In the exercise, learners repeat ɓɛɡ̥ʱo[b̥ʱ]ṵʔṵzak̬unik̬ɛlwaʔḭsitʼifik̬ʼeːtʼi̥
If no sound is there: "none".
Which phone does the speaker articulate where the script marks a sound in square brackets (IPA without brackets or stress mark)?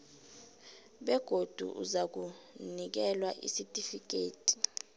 d̥ʱ